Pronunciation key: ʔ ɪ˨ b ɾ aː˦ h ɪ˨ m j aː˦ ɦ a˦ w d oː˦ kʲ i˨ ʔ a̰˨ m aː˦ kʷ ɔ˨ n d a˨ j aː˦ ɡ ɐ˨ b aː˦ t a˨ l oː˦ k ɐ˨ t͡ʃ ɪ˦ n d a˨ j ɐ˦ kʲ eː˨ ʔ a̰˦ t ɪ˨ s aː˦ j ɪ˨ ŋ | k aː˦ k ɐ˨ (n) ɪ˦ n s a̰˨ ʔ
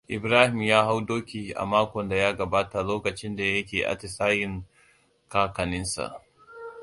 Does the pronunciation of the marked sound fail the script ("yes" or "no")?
no